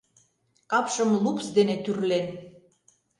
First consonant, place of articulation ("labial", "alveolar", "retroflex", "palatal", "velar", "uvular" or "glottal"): velar